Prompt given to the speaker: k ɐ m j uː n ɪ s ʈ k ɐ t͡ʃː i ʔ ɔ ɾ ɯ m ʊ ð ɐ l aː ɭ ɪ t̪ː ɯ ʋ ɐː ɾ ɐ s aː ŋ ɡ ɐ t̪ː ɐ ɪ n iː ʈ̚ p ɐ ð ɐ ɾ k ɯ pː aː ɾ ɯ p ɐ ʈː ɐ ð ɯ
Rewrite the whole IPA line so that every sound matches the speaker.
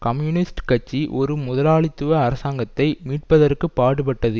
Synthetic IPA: k ɐ m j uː n ɪ s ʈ k ɐ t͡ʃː i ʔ ɔ ɾ ɯ m ʊ ð ɐ l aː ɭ ɪ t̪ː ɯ ʋ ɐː ɾ ɐ s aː ŋ ɡ ɐ t̪ː ɐ ɪ m iː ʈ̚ p ɐ ð ɐ ɾ k ɯ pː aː ɽ ɯ p ɐ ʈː ɐ ð ɯ

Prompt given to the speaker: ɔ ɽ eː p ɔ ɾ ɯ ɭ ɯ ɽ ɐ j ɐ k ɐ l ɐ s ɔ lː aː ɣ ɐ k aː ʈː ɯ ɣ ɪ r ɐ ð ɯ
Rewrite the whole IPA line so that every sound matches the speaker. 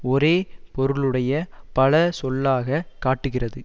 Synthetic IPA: ɔ ɾ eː p ɔ ɾ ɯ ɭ ɯ ɽ ɐ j ɐ p ɐ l ɐ s ɔ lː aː ɣ ɐ k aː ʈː ɯ ɣ ɪ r ɐ ð ɯ

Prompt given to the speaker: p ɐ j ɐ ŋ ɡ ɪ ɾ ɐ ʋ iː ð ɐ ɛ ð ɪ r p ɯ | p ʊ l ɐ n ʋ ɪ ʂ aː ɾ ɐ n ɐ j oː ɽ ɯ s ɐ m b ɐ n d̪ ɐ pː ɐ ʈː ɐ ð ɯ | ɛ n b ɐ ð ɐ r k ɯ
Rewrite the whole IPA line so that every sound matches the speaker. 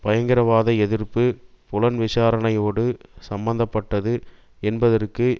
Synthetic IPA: p ɐ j ɐ ŋ ɡ ɪ ɾ ɐ ʋ aː ð ɐ ɛ ð ɪ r p ɯ | p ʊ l ɐ n ʋ ɪ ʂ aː ɾ ɐ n ɐ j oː ɽ ɯ s ɐ m b ɐ n d̪ ɐ pː ɐ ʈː ɐ ð ɯ | ɛ n b ɐ ð ɐ r k ɯ

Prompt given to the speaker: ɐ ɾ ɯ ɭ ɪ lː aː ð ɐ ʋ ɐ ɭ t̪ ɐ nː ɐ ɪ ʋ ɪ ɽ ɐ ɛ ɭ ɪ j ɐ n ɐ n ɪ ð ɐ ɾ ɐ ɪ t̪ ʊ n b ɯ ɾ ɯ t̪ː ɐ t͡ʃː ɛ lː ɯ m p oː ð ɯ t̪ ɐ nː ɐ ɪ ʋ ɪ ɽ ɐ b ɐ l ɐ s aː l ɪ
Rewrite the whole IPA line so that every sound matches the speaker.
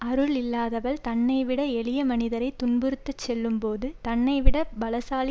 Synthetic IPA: ɐ ɾ ɯ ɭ ɪ lː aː ð ɐ ʋ ɐ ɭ t̪ ɐ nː ɐ ɪ ʋ ɪ ɽ ɐ ɛ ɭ ɪ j ɐ m ɐ n ɪ ð ɐ ɾ ɐ ɪ t̪ ʊ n b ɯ ɾ ɯ t̪ː ɐ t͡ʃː ɛ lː ɯ m p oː ð ɯ t̪ ɐ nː ɐ ɪ ʋ ɪ ɽ ɐ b ɐ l ɐ s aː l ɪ

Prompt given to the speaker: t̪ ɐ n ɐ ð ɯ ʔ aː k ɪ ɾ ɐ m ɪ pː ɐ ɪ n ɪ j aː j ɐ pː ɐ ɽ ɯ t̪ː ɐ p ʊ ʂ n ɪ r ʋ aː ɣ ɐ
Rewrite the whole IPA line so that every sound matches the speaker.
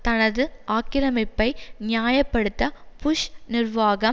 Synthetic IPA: t̪ ɐ n ɐ ð ɯ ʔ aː k ɪ ɾ ɐ m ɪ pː ɐ ɪ n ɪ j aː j ɐ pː ɐ ɽ ɯ t̪ː ɐ p ʊ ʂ n ɪ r ʋ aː ɣ ɐ

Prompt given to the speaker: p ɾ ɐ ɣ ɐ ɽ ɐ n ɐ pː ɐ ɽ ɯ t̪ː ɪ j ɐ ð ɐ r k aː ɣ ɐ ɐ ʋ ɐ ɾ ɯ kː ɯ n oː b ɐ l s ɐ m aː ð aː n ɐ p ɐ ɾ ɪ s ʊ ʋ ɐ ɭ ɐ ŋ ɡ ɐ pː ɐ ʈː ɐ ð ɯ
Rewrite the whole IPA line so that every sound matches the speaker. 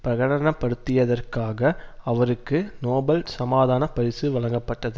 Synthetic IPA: p ɾ ɐ ɣ ɐ ɽ ɐ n ɐ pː ɐ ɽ ɯ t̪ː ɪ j ɐ ð ɐ r k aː ɣ ɐ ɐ ʋ ɐ ɾ ɯ kː ɯ n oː b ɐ l s ɐ m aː ð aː n ɐ p ɐ ɾ ɪ s ɯ ʋ ɐ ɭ ɐ ŋ ɡ ɐ pː ɐ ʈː ɐ ð ɯ

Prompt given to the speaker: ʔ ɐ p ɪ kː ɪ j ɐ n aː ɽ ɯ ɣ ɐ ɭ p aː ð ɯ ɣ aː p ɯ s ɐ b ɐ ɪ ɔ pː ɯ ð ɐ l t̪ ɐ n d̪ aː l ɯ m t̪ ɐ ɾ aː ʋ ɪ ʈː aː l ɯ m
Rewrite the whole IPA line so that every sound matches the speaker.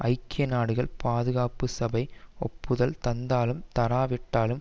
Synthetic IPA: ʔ ɐ ɪ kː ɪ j ɐ n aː ɽ ɯ ɣ ɐ ɭ p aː ð ɯ ɣ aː p ɯ s ɐ b ɐ ɪ ɔ pː ɯ ð ɐ l t̪ ɐ n d̪ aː l ɯ m t̪ ɐ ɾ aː ʋ ɪ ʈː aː l ɯ m

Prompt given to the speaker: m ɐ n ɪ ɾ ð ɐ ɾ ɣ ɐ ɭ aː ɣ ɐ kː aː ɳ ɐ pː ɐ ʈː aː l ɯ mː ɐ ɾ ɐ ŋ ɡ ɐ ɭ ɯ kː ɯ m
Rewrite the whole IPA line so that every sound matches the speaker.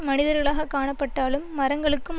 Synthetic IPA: m ɐ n ɪ ð ɐ ɾ ɣ ɐ ɭ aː ɣ ɐ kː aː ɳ ɐ pː ɐ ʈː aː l ɯ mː ɐ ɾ ɐ ŋ ɡ ɐ ɭ ɯ kː ɯ m

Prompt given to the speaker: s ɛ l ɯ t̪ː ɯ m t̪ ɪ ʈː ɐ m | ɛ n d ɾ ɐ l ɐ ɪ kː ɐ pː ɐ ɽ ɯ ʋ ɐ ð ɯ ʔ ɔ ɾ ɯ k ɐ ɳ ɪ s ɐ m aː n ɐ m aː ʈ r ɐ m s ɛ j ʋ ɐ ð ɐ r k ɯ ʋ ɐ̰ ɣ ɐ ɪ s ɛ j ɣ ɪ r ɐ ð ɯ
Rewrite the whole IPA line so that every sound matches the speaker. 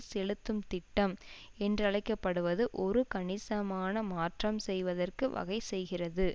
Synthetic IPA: s ɛ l ɯ t̪ː ɯ m t̪ ɪ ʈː ɐ m | ɛ n d r ɐ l ɐ ɪ kː ɐ pː ɐ ɽ ɯ ʋ ɐ ð ɯ ʔ ɔ ɾ ɯ k ɐ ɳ ɪ s ɐ m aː n ɐ m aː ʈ r ɐ m s ɛ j ʋ ɐ ð ɐ r k ɯ ʋ ɐ̰ ɣ ɐ ɪ s ɛ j ɣ ɪ r ɐ ð ɯ

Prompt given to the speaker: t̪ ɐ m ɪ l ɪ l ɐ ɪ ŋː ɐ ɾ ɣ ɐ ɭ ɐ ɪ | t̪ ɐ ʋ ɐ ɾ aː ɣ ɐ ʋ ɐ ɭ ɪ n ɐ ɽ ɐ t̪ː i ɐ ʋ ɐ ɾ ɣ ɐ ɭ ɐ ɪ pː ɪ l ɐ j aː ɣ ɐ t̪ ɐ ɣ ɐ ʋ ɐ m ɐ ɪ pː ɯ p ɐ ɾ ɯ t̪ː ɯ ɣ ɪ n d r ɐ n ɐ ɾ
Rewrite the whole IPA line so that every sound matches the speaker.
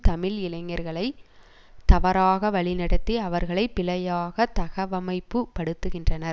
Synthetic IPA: t̪ ɐ m ɪ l ɪ l ɐ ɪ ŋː ɐ ɾ ɣ ɐ ɭ ɐ ɪ | t̪ ɐ ʋ ɐ ɾ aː ɣ ɐ ʋ ɐ ɭ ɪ n ɐ ɽ ɐ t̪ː i ɐ ʋ ɐ ɾ ɣ ɐ ɭ ɐ ɪ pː ɪ l ɐ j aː ɣ ɐ t̪ ɐ ɣ ɐ ʋ ɐ m ɐ ɪ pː ɯ p ɐ ɽ ɯ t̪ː ɯ ɣ ɪ n d r ɐ n ɐ ɾ

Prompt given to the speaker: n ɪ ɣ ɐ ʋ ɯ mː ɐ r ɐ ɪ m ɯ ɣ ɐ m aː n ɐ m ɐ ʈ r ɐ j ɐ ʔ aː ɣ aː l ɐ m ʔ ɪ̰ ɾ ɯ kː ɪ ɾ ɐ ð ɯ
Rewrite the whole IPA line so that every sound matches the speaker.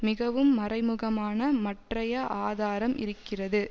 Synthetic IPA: m ɪ ɣ ɐ ʋ ɯ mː ɐ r ɐ ɪ m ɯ ɣ ɐ m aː n ɐ m ɐ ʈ r ɐ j ɐ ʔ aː ð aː ɾ ɐ m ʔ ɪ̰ ɾ ɯ kː ɪ r ɐ ð ɯ

